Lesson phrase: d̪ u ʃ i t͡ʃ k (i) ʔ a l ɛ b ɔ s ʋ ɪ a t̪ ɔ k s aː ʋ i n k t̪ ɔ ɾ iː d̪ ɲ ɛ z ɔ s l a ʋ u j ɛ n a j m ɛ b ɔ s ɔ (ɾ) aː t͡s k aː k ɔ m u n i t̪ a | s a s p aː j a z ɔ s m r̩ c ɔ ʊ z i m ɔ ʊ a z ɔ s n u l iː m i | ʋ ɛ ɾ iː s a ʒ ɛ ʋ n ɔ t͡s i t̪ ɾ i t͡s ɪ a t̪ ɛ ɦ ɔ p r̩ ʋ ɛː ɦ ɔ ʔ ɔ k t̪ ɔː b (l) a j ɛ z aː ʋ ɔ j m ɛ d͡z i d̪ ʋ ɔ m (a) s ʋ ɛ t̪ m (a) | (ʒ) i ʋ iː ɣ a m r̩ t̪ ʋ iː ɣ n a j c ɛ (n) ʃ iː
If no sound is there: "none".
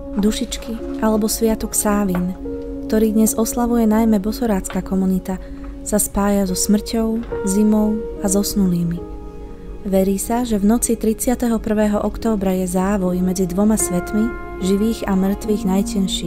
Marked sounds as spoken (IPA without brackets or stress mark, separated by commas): i, ɾ, ɾ, a, i, ʒ, n